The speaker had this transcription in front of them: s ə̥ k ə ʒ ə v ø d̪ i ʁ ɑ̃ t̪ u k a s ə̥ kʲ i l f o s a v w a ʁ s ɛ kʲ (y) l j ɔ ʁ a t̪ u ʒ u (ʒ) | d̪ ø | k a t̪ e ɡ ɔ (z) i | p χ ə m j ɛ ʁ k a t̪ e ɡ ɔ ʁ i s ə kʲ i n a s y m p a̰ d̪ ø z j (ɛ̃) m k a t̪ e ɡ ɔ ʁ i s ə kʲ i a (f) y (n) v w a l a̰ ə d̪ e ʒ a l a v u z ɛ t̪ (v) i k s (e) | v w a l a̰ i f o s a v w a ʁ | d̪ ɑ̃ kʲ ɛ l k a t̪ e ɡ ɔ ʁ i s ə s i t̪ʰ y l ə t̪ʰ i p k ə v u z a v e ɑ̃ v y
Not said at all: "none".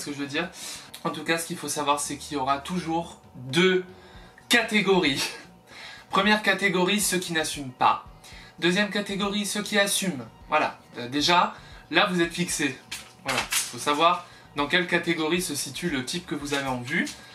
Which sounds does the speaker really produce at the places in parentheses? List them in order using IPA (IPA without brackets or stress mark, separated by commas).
i, ʁ, ʁ, ɛ, s, m, f, e